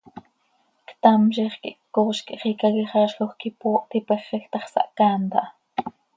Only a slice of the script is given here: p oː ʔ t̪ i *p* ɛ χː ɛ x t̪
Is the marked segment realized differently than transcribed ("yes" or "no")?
no